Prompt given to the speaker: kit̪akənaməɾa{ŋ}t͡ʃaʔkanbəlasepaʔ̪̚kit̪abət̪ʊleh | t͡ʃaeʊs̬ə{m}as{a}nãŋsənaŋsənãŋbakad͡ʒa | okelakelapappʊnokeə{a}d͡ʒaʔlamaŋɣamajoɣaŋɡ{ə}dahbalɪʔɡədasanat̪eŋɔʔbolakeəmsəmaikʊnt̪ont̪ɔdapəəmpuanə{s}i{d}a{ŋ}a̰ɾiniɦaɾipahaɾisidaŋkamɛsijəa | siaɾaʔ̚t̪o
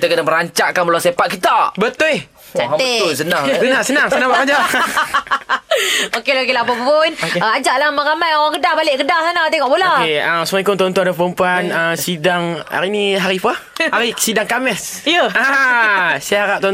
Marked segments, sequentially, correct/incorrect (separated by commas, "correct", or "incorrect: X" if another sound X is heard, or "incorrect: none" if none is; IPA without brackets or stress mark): incorrect: ɲ, incorrect: n, incorrect: ə, correct, correct, correct, correct, correct